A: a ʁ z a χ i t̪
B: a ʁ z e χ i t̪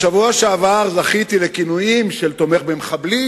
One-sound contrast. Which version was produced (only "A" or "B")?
A